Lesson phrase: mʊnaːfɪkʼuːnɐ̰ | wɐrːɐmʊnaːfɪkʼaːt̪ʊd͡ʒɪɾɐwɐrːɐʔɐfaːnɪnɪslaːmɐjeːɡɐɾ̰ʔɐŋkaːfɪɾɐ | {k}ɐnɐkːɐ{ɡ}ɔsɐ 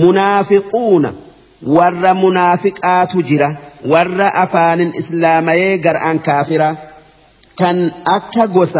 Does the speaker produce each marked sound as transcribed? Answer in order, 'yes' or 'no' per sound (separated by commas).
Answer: yes, yes